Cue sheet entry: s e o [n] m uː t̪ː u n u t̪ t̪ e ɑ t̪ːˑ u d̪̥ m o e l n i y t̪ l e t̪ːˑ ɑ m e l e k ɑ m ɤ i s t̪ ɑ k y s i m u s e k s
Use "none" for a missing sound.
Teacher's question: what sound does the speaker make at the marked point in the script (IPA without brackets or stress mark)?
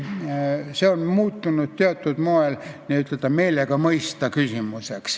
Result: n